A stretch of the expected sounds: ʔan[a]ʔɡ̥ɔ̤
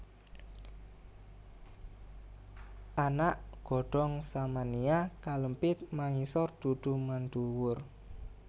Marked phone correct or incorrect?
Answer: correct